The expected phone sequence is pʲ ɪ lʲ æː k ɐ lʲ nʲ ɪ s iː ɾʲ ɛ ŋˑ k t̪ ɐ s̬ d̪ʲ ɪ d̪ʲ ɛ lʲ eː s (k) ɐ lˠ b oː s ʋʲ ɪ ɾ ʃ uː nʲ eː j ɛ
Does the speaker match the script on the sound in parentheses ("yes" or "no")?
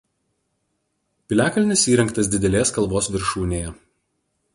yes